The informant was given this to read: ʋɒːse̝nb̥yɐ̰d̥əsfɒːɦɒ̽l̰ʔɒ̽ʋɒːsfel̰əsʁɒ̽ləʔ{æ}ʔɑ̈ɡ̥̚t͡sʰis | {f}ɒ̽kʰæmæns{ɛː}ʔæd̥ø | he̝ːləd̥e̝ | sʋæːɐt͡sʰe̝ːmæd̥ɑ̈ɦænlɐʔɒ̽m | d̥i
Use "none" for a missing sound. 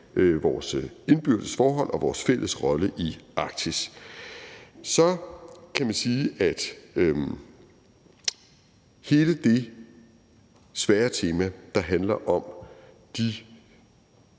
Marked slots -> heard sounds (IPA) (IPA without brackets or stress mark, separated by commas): i, s, iː